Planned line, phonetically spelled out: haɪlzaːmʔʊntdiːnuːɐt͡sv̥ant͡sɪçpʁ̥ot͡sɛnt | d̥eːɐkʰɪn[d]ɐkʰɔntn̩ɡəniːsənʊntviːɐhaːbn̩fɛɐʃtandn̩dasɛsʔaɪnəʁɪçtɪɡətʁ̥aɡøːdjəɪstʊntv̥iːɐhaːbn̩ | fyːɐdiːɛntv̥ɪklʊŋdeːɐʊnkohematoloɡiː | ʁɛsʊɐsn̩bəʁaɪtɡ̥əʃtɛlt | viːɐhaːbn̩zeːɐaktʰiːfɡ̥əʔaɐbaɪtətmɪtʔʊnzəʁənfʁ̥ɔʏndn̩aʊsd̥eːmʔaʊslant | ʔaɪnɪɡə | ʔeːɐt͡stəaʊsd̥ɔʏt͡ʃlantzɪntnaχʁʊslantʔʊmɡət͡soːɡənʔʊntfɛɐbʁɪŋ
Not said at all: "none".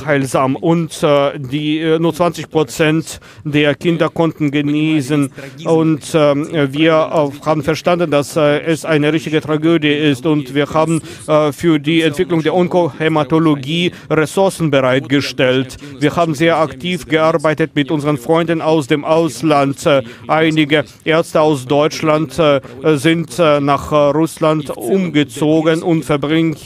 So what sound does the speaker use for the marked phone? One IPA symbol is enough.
d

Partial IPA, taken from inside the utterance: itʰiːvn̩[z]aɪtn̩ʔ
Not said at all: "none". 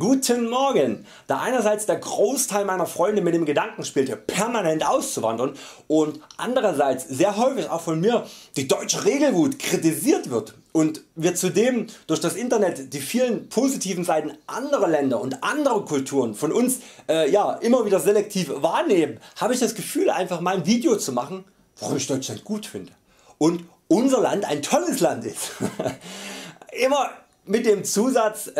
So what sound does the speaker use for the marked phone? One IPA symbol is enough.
z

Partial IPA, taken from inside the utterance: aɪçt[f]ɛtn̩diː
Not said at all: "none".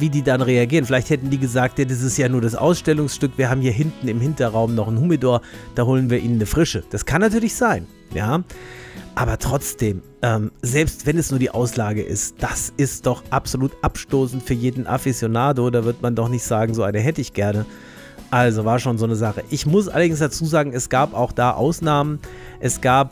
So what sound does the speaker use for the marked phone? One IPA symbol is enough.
h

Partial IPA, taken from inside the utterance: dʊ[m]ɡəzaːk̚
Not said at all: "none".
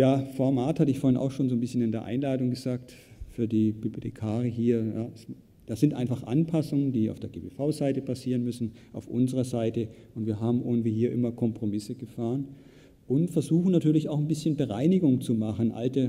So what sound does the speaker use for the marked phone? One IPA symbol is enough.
ŋ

